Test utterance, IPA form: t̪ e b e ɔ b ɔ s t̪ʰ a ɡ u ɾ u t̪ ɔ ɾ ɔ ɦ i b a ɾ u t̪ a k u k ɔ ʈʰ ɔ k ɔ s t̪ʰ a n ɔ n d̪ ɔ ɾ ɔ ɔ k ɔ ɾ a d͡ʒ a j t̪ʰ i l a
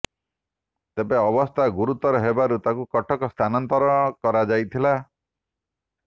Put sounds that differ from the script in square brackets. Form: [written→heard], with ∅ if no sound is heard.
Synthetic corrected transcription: t̪ e b e ɔ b ɔ s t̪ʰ a ɡ u ɾ u t̪ ɔ ɾ ɔ ɦ [i→e] b a ɾ u t̪ a k u k ɔ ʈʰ ɔ k ɔ s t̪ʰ a n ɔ n [d̪→t̪] ɔ ɾ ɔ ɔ k ɔ ɾ a d͡ʒ a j t̪ʰ i l a